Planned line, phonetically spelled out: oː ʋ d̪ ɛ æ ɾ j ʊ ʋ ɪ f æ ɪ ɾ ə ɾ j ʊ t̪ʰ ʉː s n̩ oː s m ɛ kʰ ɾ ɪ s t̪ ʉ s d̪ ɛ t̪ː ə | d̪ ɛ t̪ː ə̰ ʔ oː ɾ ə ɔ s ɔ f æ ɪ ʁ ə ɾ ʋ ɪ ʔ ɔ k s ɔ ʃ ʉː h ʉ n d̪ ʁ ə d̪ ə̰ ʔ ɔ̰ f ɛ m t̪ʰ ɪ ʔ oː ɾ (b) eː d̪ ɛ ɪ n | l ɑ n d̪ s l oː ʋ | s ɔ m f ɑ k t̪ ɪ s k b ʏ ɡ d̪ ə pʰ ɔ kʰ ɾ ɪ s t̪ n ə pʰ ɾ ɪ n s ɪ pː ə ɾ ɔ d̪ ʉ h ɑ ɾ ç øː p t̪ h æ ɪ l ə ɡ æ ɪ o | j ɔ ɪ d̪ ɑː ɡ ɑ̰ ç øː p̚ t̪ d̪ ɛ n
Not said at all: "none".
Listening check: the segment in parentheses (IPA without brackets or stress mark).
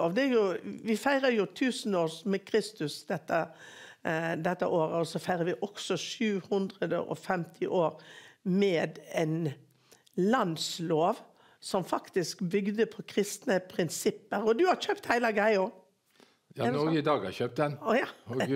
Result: m